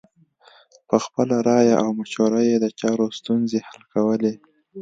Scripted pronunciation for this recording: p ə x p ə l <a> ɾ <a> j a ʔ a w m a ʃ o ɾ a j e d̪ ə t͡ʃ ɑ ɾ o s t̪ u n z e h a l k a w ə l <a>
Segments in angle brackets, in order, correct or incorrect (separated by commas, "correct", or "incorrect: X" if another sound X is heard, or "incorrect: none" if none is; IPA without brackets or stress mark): correct, incorrect: ɑ, incorrect: e